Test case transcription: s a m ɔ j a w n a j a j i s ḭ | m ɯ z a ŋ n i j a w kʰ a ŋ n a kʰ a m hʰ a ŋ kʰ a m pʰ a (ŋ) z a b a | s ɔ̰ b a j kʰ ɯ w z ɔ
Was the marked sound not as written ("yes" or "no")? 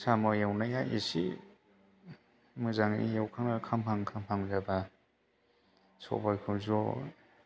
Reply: no